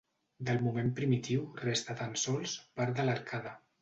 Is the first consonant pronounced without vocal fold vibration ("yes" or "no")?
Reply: no